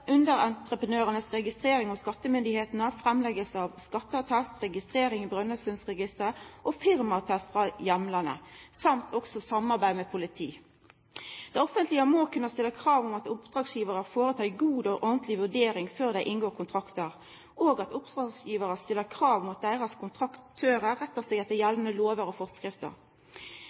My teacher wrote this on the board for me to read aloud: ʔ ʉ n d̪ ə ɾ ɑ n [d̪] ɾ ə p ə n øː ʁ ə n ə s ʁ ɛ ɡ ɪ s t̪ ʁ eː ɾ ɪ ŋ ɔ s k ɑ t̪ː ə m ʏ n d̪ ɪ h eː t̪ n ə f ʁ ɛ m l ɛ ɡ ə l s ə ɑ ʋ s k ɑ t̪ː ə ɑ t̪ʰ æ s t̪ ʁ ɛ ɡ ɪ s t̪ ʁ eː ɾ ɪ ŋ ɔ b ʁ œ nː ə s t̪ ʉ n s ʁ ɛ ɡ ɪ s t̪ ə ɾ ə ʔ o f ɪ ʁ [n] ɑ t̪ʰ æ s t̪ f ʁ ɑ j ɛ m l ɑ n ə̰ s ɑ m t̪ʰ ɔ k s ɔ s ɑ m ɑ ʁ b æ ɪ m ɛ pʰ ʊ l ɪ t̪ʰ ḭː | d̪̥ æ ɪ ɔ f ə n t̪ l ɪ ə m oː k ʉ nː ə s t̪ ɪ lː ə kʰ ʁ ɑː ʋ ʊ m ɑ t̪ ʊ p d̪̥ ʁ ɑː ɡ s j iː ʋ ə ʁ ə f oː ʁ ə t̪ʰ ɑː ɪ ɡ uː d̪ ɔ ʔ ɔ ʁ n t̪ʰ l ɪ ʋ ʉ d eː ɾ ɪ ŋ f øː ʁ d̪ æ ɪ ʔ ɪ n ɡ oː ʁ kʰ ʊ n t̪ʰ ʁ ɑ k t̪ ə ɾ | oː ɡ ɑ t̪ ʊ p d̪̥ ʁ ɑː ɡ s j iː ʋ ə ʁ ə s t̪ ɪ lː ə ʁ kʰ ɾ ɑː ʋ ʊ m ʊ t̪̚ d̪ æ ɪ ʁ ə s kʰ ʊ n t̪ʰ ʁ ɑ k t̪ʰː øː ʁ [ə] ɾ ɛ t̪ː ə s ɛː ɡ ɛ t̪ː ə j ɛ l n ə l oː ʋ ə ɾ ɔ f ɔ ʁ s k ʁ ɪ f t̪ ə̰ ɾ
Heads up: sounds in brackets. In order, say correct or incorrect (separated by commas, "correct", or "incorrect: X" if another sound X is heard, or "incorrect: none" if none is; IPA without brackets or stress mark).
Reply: incorrect: t̪, incorrect: m, correct